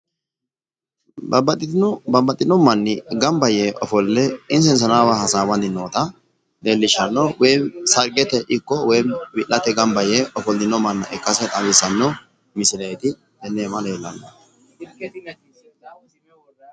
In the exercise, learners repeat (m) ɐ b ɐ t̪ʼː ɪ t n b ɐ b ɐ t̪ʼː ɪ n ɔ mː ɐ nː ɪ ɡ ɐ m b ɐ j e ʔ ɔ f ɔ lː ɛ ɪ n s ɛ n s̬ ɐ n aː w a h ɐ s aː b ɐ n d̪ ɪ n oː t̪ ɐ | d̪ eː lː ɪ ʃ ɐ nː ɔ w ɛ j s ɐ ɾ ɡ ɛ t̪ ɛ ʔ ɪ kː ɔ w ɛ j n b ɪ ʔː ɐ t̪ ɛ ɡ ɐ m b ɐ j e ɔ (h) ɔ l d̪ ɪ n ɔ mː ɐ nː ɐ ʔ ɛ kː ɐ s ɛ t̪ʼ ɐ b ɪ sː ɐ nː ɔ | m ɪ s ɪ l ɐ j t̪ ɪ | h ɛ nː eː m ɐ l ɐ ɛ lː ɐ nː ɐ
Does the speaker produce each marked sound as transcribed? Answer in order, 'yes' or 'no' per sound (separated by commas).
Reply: no, no